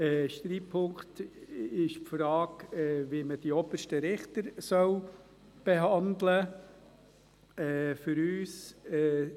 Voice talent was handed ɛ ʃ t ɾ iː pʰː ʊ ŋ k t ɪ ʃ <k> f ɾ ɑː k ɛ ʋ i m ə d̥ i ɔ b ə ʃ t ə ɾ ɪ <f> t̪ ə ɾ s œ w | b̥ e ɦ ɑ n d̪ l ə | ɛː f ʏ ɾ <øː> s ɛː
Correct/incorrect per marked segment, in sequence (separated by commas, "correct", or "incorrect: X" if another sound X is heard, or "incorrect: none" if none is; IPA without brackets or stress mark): incorrect: p, incorrect: χ, incorrect: yː